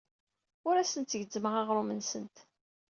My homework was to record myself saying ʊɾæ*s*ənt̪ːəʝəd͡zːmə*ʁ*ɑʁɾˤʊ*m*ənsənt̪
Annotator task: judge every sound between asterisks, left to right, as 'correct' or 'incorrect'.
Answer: correct, correct, correct

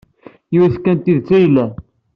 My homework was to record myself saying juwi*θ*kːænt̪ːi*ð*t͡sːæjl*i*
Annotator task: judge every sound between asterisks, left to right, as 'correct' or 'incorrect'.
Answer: correct, correct, incorrect

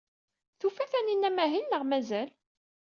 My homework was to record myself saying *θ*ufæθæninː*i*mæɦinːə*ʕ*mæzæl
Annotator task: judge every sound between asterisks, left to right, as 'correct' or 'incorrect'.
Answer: correct, incorrect, incorrect

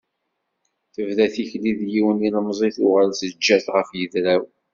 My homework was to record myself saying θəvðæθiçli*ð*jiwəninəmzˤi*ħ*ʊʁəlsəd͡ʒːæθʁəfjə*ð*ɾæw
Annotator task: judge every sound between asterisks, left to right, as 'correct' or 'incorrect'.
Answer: correct, incorrect, correct

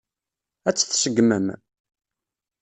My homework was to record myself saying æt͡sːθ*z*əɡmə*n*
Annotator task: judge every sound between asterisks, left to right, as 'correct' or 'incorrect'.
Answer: incorrect, incorrect

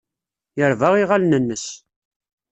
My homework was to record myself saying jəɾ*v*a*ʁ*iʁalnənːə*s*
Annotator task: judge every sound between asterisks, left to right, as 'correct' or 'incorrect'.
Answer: correct, correct, correct

